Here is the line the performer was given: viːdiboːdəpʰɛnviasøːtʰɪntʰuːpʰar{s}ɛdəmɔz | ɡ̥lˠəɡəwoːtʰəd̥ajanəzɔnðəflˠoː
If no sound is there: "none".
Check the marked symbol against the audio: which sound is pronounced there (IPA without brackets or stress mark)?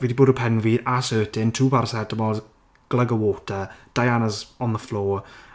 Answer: s